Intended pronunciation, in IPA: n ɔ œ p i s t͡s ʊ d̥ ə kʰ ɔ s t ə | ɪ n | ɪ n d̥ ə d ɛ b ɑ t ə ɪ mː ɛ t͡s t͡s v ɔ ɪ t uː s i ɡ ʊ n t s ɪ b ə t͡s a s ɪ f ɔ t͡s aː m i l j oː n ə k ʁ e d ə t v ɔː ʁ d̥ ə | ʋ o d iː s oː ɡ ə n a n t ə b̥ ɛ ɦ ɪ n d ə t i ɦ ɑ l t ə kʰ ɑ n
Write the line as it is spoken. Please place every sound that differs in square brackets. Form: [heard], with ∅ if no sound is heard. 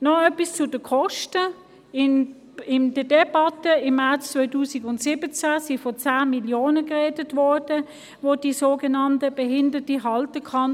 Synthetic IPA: n ɔ œ p i s t͡s ʊ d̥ ə kʰ ɔ [ʃ] t ə | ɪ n | ɪ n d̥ ə d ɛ b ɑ t ə ɪ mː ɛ t͡s t͡s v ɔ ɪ t uː s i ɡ ʊ n t s ɪ b ə t͡s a s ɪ f ɔ t͡s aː m i l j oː n ə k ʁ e d ə t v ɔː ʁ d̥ ə | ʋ o d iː s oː ɡ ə n [ɑ] n t ə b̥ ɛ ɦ ɪ n d ə t i ɦ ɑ l t ə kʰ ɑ n